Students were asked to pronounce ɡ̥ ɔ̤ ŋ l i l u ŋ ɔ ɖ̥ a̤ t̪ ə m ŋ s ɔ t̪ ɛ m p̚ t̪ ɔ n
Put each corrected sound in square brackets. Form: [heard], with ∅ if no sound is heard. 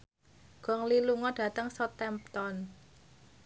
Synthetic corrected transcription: ɡ̥ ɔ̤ ŋ l i l u ŋ ɔ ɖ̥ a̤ t̪ ə [∅] ŋ s ɔ t̪ ɛ m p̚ t̪ ɔ n